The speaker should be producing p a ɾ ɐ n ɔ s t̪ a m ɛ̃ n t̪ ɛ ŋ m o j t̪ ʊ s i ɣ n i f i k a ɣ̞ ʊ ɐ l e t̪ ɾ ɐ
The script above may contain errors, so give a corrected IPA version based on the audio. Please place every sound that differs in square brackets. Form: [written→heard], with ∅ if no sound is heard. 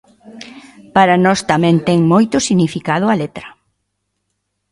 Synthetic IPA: p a ɾ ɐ n ɔ s t̪ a m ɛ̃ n t̪ ɛ ŋ m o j t̪ ʊ s i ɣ n i f i k a [ɣ̞→ð̞] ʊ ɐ l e t̪ ɾ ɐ